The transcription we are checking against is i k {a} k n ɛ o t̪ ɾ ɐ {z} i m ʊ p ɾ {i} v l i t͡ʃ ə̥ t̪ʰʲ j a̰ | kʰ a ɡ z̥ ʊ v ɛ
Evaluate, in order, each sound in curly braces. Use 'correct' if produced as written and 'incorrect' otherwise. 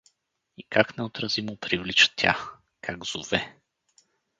correct, correct, correct

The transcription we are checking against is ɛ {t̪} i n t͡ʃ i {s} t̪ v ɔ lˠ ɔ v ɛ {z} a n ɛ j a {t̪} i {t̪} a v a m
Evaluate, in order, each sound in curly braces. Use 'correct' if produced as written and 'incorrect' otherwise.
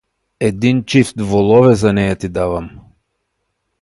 incorrect: d̪, incorrect: f, correct, correct, incorrect: d̪

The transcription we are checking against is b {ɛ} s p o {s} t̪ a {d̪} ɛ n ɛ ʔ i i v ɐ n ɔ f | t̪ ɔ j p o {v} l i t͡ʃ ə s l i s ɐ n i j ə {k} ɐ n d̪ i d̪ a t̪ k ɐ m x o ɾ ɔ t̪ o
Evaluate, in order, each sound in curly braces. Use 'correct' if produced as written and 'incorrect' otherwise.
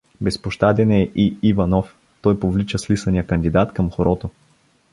correct, incorrect: ʃ, correct, correct, correct

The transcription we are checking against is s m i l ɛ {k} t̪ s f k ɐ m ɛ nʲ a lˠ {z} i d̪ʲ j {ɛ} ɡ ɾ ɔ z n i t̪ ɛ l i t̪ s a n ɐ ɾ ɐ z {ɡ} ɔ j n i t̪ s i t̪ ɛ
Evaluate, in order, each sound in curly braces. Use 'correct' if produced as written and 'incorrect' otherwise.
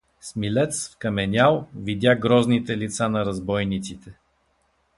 incorrect: none, incorrect: v, incorrect: a, incorrect: b

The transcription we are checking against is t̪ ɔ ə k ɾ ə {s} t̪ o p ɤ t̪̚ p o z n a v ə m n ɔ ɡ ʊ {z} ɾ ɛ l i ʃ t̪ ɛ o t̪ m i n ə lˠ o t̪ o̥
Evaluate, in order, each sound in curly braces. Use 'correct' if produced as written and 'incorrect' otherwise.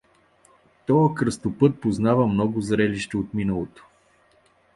correct, correct

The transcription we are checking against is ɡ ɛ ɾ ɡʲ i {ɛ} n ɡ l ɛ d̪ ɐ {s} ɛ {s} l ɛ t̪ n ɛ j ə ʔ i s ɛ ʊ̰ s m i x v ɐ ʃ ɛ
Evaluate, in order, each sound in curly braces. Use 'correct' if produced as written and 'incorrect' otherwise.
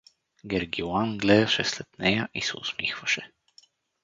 incorrect: a, incorrect: ʃ, correct

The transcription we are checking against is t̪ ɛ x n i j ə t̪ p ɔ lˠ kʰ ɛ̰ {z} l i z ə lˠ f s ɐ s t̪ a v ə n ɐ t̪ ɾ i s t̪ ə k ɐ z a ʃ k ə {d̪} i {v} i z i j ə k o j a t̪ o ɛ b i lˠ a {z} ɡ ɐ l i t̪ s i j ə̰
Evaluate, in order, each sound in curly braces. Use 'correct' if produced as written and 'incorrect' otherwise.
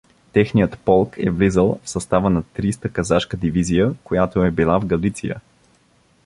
incorrect: v, correct, correct, incorrect: v

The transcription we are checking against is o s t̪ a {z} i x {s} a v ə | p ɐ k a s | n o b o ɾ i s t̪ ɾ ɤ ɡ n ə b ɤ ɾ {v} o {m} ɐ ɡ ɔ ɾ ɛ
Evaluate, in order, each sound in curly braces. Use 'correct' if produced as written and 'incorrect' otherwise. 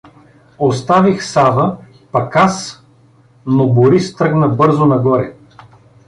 incorrect: v, correct, incorrect: z, incorrect: n

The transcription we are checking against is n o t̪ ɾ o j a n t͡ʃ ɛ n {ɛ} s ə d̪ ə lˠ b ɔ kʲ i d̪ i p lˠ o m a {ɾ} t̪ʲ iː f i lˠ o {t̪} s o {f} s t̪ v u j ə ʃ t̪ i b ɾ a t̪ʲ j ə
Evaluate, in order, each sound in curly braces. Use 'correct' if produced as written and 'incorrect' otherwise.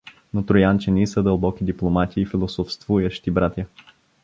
incorrect: i, incorrect: none, incorrect: none, correct

